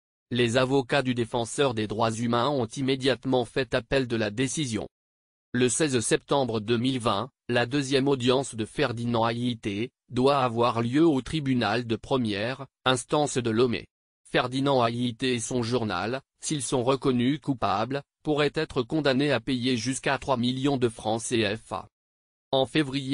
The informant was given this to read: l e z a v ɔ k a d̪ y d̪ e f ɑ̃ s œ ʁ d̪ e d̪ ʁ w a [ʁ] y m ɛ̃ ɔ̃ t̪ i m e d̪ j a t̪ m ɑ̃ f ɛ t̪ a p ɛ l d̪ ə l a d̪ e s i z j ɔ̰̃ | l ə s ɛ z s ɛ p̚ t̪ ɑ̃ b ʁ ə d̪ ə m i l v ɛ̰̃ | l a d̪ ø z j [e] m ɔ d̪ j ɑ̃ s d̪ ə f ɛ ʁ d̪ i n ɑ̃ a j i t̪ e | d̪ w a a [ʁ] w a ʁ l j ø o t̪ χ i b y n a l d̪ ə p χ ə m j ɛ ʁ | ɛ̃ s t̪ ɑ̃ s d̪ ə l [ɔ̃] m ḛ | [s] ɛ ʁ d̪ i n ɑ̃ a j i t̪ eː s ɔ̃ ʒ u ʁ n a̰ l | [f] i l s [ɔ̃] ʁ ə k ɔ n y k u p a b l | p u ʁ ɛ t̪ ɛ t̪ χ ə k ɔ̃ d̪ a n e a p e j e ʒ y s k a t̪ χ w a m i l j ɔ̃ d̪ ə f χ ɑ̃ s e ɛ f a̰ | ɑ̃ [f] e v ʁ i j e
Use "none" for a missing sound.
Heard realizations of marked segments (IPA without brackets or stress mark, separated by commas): z, ɛ, v, ɔ, f, s, ɔ̃, f